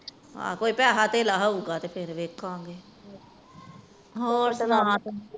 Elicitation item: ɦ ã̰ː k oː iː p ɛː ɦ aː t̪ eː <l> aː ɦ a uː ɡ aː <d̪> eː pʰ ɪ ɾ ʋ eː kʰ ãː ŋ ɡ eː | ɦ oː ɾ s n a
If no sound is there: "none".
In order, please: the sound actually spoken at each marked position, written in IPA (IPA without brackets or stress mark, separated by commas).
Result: l, t̪